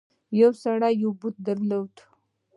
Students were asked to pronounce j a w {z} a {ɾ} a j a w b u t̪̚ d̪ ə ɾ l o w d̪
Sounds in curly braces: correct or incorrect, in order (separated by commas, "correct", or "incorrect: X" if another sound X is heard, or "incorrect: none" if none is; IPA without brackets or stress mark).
incorrect: s, incorrect: ɽ